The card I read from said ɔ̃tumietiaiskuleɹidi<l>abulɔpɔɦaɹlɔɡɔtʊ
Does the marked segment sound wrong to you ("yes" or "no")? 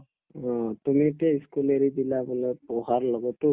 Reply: no